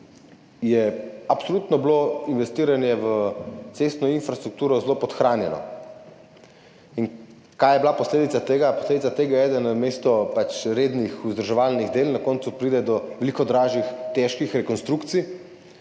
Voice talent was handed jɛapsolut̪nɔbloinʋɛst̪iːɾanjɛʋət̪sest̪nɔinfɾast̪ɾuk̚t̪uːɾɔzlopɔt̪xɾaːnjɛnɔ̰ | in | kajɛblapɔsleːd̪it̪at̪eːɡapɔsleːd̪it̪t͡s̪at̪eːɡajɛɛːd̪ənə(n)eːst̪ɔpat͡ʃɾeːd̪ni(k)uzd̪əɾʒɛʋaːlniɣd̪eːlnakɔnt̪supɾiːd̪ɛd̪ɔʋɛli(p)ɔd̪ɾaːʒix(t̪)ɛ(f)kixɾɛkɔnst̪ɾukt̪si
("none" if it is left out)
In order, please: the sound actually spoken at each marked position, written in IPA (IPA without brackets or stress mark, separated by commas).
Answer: m, x, k, t̪, ʃ